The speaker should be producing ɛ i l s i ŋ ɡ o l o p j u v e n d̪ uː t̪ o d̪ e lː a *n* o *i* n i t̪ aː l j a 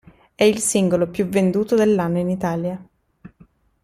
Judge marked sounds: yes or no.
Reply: no, yes

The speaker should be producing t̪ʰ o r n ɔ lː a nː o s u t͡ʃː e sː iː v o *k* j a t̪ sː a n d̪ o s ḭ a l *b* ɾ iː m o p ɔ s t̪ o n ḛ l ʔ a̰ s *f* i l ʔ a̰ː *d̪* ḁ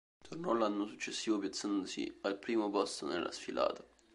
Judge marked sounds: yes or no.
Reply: no, no, yes, no

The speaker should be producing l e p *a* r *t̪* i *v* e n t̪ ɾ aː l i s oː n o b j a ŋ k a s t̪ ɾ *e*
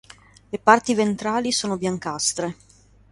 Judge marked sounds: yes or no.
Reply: yes, yes, yes, yes

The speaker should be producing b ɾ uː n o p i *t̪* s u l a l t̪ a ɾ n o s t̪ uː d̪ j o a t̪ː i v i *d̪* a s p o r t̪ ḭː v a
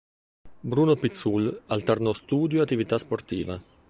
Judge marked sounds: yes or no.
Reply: yes, no

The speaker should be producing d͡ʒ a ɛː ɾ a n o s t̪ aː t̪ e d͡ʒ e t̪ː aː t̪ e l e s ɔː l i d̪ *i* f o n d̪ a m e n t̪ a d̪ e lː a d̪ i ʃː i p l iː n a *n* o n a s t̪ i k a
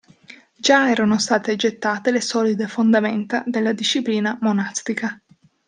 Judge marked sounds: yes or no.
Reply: no, no

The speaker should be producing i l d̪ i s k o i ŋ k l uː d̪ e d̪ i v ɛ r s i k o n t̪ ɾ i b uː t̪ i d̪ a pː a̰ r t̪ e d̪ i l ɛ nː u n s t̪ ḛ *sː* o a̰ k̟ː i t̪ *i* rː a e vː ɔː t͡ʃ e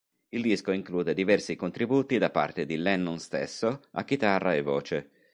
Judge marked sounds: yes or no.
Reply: yes, no

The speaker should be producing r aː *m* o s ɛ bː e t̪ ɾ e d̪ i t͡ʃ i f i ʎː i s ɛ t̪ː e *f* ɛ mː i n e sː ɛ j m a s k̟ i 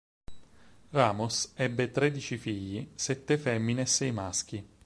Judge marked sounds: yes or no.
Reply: yes, yes

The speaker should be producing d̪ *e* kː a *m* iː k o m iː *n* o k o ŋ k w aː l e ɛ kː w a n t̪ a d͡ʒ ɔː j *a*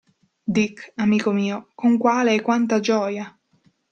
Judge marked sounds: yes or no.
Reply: no, yes, no, yes

